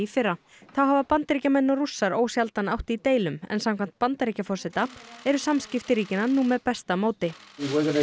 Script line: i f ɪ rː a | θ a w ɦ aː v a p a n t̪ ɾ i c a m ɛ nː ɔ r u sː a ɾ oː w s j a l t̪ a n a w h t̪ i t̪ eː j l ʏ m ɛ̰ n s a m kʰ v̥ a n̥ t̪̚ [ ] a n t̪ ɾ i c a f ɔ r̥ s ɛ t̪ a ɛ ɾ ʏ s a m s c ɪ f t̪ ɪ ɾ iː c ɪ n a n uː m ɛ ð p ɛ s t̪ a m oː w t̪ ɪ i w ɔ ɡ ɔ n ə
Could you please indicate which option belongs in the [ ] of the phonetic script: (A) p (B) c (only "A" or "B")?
A